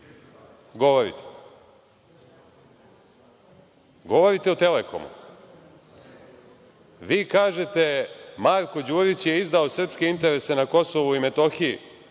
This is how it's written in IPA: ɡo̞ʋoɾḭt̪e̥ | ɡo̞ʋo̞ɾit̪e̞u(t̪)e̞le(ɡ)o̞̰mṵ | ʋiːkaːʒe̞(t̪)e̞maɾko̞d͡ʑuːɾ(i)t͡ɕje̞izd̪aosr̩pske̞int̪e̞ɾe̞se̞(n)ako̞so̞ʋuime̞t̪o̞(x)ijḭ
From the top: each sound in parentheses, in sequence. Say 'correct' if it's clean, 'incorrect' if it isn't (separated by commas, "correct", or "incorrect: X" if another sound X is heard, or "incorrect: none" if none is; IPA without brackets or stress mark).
correct, incorrect: k, correct, correct, correct, correct